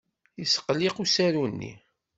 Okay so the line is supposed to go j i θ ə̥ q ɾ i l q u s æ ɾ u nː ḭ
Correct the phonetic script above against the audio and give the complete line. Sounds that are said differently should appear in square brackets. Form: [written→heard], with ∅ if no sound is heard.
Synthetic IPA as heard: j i [θ→s] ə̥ q [ɾ→l] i [l→∅] q u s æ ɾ u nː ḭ